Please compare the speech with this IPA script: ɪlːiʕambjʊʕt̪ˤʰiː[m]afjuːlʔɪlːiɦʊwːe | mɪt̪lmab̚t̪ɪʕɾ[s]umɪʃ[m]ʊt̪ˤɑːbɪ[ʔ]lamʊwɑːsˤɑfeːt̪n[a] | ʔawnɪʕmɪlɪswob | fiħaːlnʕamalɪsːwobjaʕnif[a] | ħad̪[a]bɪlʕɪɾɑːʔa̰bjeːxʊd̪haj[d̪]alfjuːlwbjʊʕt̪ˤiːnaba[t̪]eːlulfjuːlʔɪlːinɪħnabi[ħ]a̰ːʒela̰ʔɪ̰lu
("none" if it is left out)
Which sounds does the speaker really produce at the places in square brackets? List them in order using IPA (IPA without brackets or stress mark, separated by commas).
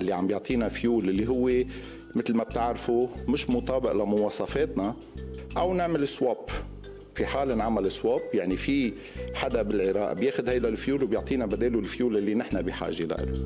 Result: n, f, m, ʔ, a, i, a, d̪, d̪, ħ